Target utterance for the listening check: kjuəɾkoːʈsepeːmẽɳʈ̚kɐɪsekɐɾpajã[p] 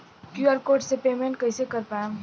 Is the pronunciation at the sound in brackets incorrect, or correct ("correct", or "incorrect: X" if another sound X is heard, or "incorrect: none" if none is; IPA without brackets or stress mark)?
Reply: incorrect: none